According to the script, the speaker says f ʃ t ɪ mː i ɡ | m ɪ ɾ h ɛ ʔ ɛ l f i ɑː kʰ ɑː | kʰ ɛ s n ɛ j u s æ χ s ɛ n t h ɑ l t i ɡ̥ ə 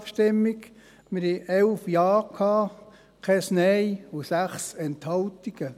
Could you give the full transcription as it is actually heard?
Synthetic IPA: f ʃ t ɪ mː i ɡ | m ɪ ɾ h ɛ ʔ ɛ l f j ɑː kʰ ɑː | kʰ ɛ s n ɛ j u s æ χ s ɛ n t h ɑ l t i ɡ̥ ə